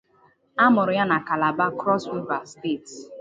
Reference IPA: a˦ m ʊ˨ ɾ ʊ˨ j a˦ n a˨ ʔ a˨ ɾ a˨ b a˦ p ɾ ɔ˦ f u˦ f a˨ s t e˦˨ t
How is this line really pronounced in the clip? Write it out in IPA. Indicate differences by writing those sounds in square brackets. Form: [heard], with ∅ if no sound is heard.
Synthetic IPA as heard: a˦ m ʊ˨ ɾ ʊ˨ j a˦ n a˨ [k] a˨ [l] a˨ b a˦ [k] ɾ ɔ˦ [s] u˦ [v] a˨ s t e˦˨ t